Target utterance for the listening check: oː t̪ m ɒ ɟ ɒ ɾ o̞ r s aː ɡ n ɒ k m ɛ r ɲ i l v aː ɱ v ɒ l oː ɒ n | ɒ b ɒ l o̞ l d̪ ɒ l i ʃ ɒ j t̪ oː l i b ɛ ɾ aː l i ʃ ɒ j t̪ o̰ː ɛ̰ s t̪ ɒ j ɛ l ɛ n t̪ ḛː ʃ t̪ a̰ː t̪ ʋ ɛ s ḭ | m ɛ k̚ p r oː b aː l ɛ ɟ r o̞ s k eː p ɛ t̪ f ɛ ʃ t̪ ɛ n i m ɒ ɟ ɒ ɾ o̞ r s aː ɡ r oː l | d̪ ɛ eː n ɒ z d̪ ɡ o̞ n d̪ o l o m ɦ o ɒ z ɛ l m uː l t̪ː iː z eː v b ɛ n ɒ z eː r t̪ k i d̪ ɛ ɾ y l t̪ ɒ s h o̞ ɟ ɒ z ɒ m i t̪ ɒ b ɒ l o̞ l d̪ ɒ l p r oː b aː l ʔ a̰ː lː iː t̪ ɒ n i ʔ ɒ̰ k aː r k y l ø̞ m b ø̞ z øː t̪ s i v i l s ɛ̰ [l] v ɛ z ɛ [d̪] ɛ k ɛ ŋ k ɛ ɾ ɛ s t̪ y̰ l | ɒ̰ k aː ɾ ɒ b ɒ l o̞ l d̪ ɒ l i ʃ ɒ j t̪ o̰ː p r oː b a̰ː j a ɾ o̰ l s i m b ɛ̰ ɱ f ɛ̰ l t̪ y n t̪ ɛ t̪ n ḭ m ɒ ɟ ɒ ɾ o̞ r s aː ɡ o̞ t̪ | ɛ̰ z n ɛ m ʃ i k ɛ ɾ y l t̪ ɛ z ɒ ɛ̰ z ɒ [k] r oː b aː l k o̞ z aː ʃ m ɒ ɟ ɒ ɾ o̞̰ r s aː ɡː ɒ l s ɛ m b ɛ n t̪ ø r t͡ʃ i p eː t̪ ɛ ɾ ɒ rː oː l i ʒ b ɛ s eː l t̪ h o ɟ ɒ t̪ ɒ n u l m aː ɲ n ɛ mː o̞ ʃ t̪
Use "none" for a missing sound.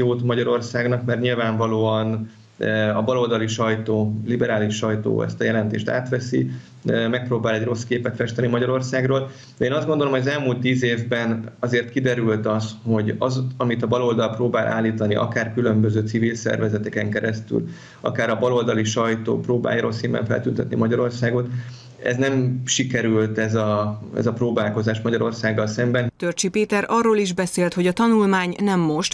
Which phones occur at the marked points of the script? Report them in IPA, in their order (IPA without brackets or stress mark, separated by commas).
r, t̪, p